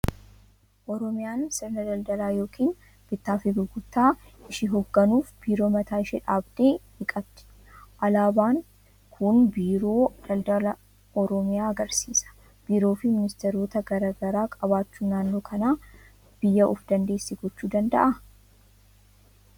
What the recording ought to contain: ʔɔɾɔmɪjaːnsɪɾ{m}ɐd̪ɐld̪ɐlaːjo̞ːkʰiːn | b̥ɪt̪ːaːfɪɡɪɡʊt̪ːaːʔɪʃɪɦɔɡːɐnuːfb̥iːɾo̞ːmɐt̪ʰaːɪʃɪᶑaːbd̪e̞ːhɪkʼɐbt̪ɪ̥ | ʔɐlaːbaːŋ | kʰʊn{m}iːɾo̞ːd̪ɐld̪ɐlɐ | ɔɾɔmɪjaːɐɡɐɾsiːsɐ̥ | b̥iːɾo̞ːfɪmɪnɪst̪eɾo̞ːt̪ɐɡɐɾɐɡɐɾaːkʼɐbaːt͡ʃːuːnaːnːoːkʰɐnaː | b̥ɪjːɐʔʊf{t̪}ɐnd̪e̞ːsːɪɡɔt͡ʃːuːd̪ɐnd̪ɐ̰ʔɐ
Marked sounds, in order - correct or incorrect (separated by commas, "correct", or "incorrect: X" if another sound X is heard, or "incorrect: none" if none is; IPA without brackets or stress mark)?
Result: incorrect: n, incorrect: b, incorrect: d̪